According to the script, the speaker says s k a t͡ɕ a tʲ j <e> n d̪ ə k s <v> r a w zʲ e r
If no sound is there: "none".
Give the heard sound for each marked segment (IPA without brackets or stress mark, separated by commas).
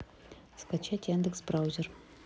a, b